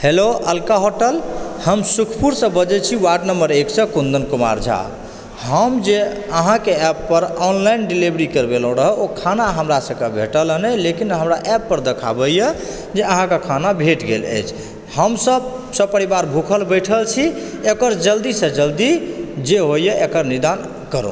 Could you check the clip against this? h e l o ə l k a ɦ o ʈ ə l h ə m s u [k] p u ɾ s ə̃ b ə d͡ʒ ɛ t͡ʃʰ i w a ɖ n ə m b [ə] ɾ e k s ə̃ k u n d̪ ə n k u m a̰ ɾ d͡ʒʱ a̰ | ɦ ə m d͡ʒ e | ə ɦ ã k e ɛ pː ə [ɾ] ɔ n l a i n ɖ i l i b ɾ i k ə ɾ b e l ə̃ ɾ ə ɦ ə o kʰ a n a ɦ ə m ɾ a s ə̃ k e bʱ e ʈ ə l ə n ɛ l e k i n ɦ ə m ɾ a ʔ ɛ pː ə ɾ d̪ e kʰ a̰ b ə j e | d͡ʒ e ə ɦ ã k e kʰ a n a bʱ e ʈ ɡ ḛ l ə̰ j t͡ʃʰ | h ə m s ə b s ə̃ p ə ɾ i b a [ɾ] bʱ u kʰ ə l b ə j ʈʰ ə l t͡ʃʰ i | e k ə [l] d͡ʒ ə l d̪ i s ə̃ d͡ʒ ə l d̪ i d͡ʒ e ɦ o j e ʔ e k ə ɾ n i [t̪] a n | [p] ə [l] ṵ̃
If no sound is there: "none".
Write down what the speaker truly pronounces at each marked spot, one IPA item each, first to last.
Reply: kʰ, ə, ɾ, ɾ, ɾ, d̪, k, ɾ

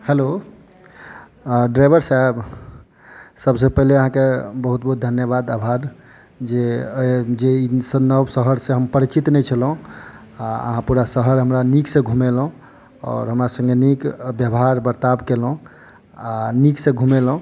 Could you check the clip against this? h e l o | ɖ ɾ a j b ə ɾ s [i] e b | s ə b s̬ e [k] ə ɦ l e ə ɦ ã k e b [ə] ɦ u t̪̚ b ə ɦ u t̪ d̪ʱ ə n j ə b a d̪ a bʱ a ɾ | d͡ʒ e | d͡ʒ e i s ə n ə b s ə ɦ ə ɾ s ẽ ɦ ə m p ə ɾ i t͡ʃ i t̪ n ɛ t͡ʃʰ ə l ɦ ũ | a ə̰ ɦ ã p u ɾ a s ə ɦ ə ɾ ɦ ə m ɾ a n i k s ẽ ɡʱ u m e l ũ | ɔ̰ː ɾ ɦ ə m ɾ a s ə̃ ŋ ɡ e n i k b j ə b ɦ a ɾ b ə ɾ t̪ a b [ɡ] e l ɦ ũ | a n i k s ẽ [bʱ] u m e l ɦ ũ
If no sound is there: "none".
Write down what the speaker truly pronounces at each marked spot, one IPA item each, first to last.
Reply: a, p, ə, k, ɡʱ

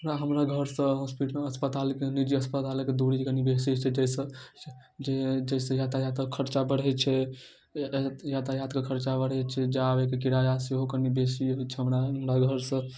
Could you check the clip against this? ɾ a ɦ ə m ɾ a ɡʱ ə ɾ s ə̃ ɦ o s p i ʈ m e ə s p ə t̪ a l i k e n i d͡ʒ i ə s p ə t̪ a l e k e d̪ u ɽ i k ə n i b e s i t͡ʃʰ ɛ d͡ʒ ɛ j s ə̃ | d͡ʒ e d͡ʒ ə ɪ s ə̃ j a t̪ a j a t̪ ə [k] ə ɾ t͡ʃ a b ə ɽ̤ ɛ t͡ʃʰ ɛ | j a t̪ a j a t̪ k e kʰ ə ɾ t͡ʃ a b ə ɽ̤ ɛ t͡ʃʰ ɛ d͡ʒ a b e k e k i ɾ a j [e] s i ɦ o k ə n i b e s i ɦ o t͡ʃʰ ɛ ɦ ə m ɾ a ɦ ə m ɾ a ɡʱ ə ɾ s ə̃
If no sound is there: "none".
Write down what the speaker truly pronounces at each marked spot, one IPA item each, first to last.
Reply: kʰ, a

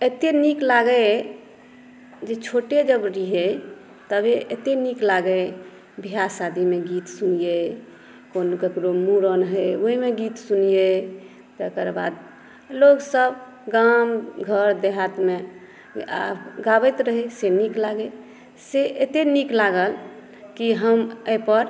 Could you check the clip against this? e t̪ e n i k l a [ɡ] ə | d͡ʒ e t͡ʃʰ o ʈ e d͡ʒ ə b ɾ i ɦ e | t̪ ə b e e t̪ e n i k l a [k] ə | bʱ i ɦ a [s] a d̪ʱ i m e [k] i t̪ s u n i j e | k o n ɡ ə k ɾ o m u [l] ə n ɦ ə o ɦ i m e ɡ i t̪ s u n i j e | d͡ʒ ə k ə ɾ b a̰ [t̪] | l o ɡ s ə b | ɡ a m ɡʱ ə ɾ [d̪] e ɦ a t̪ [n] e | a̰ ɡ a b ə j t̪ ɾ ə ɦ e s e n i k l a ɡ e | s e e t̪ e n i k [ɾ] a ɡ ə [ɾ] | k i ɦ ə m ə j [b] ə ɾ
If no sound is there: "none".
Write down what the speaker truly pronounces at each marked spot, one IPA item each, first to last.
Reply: ɡ, ɡ, s, ɡ, ɾ, d̪, d̪, m, l, l, p

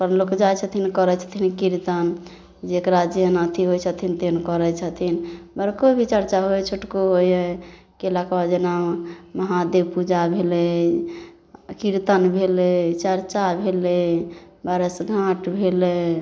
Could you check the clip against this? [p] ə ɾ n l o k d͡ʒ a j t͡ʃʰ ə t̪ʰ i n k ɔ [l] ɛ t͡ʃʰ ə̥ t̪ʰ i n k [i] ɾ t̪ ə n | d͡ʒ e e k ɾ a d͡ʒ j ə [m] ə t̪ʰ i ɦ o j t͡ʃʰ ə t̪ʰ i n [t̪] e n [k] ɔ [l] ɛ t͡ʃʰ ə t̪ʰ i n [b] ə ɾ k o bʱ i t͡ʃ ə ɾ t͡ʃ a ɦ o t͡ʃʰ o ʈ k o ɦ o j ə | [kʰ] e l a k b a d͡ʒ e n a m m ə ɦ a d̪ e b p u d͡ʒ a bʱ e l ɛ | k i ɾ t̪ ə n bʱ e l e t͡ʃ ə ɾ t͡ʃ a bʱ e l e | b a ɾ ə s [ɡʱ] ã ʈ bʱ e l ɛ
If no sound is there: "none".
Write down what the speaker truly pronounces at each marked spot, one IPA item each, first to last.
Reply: p, ɾ, i, n, t̪, k, ɾ, b, k, ɡʱ

